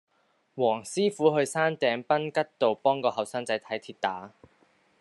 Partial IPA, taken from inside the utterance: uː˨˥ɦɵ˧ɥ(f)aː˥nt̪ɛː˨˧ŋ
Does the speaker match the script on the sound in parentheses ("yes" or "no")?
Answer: no